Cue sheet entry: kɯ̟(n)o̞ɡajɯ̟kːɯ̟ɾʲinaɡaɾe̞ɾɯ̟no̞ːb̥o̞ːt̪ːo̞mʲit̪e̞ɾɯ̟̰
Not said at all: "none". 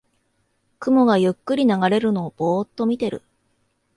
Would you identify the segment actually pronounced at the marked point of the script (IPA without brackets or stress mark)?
m